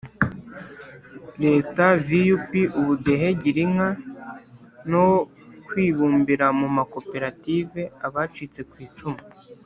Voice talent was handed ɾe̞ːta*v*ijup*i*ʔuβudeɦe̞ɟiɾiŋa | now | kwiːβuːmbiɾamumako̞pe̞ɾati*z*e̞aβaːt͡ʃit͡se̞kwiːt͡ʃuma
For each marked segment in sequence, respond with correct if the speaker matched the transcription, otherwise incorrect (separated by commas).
correct, correct, incorrect